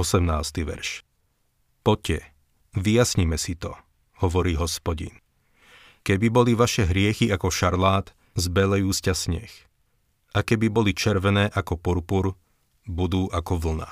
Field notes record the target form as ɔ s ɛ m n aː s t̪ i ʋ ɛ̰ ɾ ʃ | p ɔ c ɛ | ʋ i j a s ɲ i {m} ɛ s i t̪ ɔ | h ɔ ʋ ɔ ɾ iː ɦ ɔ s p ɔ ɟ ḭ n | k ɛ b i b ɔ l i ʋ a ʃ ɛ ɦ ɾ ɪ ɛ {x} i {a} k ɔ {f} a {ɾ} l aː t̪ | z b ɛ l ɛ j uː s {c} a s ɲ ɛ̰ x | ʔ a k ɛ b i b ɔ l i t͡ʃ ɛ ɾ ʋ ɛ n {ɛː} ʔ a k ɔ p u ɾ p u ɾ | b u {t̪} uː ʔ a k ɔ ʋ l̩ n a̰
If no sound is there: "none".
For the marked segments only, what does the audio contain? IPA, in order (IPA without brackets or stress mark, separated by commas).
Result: m, x, a, ʃ, ɾ, c, ɛː, d̪